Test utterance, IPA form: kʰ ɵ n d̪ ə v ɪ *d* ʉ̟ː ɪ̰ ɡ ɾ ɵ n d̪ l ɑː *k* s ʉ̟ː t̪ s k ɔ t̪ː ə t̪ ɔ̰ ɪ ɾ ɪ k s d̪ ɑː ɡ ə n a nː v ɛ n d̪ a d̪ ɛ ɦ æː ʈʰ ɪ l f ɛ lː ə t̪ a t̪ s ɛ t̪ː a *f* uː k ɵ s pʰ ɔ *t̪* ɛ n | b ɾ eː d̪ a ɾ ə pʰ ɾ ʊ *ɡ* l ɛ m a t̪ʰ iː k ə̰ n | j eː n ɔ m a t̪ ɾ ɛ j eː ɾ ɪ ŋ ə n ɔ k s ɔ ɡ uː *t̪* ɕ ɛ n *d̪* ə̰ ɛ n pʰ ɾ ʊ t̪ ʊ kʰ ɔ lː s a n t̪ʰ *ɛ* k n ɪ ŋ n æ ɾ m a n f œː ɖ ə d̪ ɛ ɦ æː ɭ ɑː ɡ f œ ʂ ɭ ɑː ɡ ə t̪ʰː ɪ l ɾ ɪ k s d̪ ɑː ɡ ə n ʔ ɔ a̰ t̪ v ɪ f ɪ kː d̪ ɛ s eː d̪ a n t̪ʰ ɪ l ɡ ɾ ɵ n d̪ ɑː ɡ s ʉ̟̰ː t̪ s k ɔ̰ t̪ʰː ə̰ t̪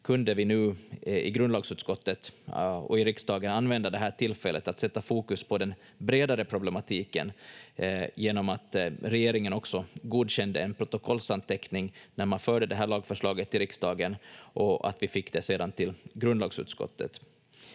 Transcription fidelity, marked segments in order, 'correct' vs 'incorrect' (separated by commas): incorrect, incorrect, correct, incorrect, incorrect, incorrect, correct, correct